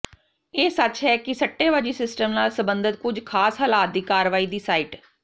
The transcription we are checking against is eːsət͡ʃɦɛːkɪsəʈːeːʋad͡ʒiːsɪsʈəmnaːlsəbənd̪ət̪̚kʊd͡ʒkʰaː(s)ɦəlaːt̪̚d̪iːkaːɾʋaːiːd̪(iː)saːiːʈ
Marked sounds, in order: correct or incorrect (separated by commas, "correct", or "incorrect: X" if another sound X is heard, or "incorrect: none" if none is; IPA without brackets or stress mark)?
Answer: correct, correct